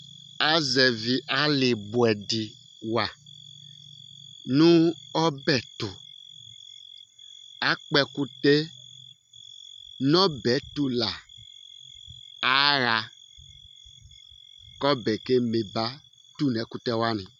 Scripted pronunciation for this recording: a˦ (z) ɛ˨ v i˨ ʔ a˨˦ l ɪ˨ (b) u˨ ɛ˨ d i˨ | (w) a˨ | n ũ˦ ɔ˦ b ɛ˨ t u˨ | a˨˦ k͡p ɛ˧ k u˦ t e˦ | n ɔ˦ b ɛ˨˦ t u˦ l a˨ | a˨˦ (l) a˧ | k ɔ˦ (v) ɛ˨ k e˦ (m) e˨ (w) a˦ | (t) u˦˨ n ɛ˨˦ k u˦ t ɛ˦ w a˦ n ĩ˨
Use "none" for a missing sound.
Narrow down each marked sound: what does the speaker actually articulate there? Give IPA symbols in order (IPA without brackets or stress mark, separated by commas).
z, b, w, ɾ, b, m, b, t